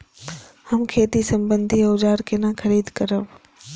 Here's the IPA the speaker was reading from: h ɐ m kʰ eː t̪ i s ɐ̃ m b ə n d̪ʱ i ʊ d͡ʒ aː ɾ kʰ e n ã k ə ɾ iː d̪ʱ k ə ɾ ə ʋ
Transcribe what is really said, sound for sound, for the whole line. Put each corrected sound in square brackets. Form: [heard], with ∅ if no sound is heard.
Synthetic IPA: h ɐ m kʰ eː t̪ i s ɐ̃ m b ə n d̪ʱ i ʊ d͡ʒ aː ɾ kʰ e n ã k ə ɾ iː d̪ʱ k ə ɾ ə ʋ